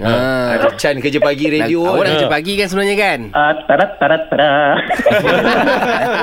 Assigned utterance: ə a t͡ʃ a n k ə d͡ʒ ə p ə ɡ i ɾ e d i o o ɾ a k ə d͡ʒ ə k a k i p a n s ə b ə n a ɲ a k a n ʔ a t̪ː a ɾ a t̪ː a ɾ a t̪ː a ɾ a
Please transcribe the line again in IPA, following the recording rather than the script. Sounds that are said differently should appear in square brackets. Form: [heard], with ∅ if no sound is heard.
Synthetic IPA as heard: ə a t͡ʃ a n k ə d͡ʒ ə p [a] ɡ i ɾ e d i o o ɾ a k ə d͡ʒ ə [p] a [ɡ] i [k] a n s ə b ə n a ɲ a k a n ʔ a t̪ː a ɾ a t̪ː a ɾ a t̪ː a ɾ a